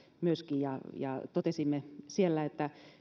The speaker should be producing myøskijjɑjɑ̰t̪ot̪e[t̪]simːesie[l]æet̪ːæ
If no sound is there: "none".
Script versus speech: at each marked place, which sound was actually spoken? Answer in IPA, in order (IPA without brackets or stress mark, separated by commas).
none, lː